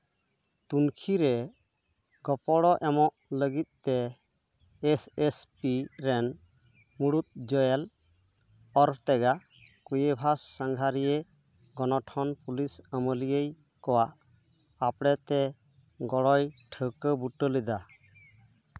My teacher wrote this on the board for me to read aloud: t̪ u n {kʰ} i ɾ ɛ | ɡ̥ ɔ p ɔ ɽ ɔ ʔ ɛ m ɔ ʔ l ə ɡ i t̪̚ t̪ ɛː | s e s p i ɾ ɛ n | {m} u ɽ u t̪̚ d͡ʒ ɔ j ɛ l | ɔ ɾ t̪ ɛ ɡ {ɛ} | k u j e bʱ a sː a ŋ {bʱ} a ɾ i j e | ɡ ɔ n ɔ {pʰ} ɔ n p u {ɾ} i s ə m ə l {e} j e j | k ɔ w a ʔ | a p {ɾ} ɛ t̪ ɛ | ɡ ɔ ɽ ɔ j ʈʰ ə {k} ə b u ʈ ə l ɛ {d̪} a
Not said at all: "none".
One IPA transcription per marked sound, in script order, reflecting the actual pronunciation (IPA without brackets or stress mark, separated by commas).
kʰ, m, a, ɡʱ, ʈʰ, l, i, ɽ, k, d̪